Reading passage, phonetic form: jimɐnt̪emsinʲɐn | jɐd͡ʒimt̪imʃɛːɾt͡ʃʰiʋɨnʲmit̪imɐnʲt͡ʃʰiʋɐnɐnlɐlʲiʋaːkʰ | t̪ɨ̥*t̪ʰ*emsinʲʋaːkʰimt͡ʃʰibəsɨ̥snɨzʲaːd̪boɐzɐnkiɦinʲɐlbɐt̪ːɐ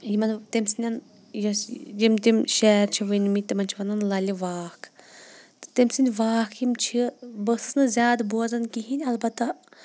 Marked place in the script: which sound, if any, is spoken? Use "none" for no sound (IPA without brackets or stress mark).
t̪